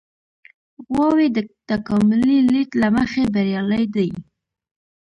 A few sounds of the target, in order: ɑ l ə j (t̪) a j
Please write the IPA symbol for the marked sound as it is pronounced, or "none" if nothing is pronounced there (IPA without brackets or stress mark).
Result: d̪